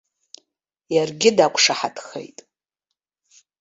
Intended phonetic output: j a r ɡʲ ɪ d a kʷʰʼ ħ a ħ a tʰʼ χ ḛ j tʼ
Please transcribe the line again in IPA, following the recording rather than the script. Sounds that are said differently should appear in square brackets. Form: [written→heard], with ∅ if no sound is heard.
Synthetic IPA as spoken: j a r ɡʲ ɪ d a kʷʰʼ [ħ→ʂ] a ħ a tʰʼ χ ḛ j tʼ